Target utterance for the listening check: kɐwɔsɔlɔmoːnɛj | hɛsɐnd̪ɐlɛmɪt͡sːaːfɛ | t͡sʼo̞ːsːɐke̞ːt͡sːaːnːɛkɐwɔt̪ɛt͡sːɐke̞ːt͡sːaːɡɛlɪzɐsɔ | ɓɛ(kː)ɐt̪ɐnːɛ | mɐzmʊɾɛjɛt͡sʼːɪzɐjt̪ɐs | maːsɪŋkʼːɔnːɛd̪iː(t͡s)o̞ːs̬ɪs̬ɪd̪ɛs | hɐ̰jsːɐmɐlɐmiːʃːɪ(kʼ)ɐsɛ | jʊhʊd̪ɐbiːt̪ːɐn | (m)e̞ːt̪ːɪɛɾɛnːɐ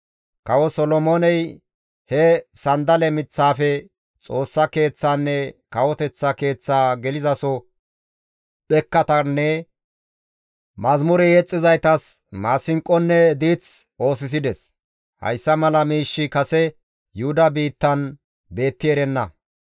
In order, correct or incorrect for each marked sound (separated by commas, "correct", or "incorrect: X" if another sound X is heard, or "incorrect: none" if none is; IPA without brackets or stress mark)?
correct, correct, incorrect: k, incorrect: b